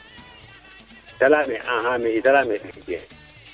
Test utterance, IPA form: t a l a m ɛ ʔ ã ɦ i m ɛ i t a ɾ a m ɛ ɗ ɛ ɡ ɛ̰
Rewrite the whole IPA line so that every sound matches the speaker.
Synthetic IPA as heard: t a l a m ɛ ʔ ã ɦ a m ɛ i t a l a m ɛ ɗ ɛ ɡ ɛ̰